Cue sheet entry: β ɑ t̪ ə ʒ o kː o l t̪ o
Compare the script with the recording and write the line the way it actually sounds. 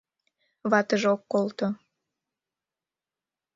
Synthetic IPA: β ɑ t̪ ə ʒ o kː o l t̪ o